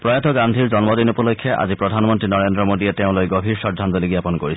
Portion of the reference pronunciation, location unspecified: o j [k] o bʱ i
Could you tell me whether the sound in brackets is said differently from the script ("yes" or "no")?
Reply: yes